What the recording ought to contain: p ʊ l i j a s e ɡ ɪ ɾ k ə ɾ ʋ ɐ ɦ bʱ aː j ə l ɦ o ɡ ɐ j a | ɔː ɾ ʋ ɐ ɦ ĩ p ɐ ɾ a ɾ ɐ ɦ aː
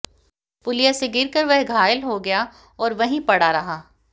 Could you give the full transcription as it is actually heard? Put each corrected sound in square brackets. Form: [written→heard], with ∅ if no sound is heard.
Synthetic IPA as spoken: p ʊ l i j a s e ɡ ɪ ɾ k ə ɾ ʋ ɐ ɦ [bʱ→ɡʱ] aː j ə l ɦ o ɡ ɐ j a | ɔː ɾ ʋ ɐ ɦ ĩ p ɐ [ɾ→ɽ] a ɾ ɐ ɦ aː